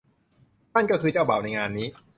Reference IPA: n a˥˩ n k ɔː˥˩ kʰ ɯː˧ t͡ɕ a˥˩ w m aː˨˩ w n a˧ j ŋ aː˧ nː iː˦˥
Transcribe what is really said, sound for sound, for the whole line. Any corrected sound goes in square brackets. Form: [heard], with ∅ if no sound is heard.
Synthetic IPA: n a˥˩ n k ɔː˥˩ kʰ ɯː˧ t͡ɕ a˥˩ w [b] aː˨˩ w n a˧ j ŋ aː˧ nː iː˦˥